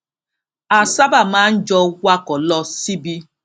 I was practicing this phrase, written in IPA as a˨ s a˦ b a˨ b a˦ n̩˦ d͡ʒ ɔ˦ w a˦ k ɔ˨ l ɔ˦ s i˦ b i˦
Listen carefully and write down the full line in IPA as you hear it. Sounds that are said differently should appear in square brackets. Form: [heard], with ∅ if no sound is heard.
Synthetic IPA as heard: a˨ s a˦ b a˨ [m] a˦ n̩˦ d͡ʒ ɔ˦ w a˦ k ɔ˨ l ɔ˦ s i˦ b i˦